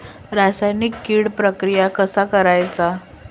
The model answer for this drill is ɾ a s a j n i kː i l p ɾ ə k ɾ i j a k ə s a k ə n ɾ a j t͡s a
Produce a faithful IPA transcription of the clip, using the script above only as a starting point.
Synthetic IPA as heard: ɾ a s a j n i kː i ɽ p ɾ ə k ɾ i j a k ə s a k ə ɾ a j t͡s a